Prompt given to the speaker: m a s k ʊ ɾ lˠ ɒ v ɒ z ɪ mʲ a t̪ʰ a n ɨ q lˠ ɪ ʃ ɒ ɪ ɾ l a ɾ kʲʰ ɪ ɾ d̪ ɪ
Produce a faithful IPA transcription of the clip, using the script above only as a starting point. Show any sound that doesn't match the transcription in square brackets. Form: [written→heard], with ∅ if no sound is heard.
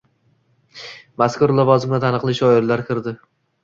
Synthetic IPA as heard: m a s k ʊ ɾ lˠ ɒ v ɒ z ɪ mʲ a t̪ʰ a n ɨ q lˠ ɪ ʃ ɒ ɪ ɾ l a ɾ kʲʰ ɪ ɾ d̪ ɪ

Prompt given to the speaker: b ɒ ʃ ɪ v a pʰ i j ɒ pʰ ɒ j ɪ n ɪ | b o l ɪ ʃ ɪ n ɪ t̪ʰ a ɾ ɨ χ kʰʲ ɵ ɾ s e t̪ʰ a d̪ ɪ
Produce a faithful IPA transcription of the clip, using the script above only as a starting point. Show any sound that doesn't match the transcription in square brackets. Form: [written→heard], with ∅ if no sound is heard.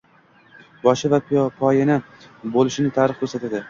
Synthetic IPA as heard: b ɒ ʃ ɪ v a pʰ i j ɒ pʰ ɒ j ɪ n ɪ | b o l ɪ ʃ ɪ n ɪ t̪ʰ a ɾ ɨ χ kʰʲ ɵ ɾ s [e→a] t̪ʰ a d̪ ɪ

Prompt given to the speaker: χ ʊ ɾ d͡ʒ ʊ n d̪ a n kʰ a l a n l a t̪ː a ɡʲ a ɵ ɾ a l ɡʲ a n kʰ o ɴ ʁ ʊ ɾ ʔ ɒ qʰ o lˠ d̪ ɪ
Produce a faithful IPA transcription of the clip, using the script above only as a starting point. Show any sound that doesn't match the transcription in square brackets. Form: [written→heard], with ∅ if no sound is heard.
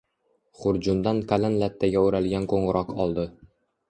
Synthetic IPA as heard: χ ʊ ɾ d͡ʒ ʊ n d̪ a n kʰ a l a n l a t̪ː a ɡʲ a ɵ ɾ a l ɡʲ a n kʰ o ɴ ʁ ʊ ɾ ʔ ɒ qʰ [o→ɒ] lˠ d̪ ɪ

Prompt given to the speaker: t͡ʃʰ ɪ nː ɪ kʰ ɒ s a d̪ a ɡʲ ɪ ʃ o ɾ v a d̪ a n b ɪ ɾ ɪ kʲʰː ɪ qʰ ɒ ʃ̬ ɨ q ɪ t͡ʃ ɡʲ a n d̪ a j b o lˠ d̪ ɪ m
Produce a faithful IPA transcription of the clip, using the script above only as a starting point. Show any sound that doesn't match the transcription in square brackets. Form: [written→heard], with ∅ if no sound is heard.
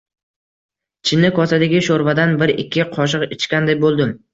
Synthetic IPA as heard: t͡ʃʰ ɪ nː ɪ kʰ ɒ s a d̪ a ɡʲ ɪ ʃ o ɾ v a d̪ a n b ɪ ɾ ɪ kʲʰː ɪ qʰ ɒ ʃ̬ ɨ q ɪ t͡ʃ [ɡʲ→kʲ] a n d̪ a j b o lˠ d̪ ɪ m

